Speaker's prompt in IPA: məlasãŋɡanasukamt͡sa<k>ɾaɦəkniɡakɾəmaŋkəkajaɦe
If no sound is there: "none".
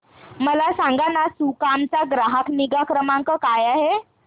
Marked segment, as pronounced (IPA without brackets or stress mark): ɡ